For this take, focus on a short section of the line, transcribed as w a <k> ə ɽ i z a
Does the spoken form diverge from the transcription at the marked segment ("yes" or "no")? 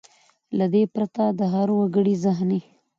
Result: yes